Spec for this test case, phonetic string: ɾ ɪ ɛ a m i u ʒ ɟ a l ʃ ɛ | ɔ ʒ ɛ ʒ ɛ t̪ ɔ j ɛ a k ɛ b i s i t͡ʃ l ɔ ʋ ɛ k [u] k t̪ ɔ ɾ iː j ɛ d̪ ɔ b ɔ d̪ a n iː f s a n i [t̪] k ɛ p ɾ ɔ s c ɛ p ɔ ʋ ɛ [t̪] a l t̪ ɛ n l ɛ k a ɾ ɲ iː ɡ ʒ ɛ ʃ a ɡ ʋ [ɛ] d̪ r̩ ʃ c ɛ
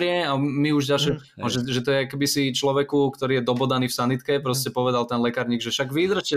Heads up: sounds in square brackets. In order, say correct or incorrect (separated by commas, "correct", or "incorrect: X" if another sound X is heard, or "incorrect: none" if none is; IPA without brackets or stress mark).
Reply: correct, correct, incorrect: d̪, incorrect: i